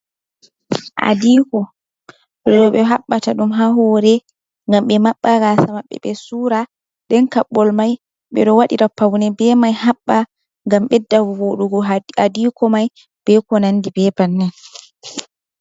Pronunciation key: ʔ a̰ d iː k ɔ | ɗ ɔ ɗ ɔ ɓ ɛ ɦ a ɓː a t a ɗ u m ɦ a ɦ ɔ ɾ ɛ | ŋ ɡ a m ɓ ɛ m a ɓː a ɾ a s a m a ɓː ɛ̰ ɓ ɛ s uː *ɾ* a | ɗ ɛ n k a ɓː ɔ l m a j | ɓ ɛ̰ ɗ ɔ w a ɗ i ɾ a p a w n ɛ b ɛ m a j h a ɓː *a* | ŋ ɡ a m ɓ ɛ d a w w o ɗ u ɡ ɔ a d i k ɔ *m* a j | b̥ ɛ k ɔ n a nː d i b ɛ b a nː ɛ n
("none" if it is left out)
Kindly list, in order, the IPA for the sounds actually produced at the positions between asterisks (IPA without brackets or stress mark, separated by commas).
ɾ, a, m